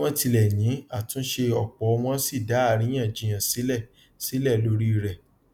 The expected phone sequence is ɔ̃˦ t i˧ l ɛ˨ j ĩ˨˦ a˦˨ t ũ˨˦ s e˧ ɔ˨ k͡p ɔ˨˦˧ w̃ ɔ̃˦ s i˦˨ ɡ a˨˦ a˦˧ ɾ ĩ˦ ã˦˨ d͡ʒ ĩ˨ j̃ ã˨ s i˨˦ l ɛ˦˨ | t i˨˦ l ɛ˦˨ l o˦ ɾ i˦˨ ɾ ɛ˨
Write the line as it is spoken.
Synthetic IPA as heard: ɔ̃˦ t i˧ l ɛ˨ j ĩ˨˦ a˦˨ t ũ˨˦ ʃ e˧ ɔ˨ k͡p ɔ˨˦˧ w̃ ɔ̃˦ s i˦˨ d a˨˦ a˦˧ ɾ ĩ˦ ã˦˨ d͡ʒ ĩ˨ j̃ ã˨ s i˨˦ l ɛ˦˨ | s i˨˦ l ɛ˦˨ l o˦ ɾ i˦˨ ɾ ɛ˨